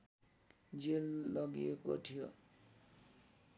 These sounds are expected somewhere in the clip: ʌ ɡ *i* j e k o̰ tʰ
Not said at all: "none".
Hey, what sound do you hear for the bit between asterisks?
i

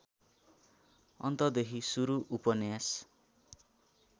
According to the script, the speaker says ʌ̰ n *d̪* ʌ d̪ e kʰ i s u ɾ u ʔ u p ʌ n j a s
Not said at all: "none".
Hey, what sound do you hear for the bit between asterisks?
t̪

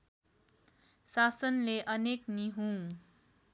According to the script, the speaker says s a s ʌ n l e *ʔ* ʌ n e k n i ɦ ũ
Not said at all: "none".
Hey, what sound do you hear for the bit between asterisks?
ʔ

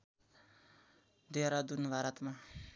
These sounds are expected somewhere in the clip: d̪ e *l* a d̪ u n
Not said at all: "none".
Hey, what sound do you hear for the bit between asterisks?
ɾ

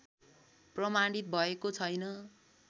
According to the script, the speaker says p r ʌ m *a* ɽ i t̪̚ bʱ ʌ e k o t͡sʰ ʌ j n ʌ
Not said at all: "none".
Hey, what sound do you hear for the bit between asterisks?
a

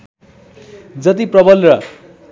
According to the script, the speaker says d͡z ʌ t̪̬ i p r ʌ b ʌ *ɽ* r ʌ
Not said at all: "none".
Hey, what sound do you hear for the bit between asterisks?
l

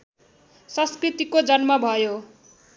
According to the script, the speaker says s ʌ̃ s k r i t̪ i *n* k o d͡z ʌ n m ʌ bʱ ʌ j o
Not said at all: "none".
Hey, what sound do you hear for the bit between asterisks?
none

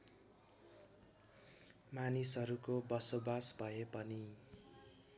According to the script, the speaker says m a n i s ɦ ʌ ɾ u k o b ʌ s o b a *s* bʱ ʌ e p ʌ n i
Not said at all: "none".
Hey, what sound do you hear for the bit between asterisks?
s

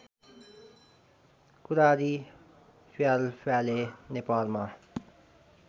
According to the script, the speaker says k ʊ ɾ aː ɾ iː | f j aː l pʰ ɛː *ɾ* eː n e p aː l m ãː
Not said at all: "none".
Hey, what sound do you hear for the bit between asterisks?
l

